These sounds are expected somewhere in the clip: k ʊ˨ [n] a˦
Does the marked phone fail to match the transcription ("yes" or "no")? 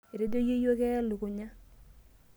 yes